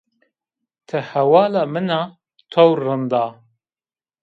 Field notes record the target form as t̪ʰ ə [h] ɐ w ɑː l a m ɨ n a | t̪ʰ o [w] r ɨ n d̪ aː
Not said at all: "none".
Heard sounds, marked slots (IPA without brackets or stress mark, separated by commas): h, w